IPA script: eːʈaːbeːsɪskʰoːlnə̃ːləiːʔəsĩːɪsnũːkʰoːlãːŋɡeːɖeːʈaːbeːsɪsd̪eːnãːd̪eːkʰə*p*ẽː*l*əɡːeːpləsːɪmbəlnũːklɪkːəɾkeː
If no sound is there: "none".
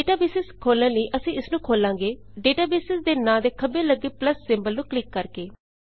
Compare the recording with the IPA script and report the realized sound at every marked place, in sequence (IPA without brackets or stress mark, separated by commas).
b, l